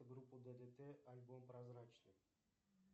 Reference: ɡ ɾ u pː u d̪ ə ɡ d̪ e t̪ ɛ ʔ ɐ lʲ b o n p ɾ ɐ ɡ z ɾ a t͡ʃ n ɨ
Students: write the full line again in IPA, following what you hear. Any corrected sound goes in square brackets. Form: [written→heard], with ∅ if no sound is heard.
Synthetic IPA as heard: ɡ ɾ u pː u d̪ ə [ɡ→∅] d̪ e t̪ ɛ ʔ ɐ lʲ b o [n→m] p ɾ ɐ [ɡ→∅] z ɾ a t͡ʃ n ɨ